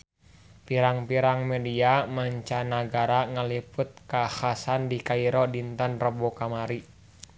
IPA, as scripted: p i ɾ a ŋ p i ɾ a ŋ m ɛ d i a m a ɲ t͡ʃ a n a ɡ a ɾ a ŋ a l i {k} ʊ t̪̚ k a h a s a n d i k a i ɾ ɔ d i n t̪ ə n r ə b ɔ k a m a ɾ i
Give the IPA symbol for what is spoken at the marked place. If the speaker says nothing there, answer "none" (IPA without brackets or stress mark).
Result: p